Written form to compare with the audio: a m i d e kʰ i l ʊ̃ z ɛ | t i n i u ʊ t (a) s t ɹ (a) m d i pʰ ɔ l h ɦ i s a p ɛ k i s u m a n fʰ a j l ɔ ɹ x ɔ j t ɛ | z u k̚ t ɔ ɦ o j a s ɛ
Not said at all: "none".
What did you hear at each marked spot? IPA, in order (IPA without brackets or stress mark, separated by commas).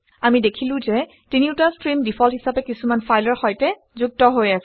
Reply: a, i